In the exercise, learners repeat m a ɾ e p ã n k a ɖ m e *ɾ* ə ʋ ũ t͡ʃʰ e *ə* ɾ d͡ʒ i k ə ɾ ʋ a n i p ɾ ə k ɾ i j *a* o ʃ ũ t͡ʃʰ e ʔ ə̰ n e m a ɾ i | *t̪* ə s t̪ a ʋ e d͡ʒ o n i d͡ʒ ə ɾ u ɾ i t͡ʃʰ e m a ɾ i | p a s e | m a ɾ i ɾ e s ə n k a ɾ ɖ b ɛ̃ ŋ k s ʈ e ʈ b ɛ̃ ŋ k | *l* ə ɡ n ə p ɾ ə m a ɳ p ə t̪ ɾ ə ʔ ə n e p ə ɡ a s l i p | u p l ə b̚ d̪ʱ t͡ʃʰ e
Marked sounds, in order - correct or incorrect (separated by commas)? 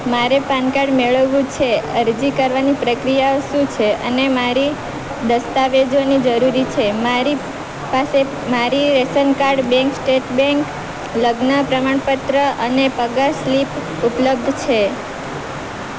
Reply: incorrect, correct, correct, incorrect, correct